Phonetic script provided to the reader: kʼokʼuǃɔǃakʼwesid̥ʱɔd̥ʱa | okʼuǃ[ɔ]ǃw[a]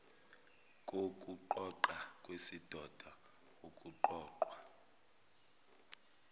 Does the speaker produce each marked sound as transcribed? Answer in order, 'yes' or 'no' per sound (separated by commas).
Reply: no, yes